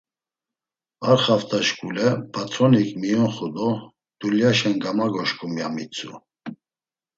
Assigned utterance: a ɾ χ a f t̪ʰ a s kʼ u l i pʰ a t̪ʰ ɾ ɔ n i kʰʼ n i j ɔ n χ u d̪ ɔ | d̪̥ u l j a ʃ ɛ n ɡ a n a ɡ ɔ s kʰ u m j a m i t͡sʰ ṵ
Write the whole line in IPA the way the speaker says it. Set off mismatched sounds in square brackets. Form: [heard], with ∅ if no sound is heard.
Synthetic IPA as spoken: a ɾ χ a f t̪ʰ a [ʃ] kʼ u l [ɛ] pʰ a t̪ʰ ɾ ɔ n i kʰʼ [m] i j ɔ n χ u d̪ ɔ | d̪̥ u l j a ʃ ɛ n ɡ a [m] a ɡ ɔ [ʃ] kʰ u m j a m i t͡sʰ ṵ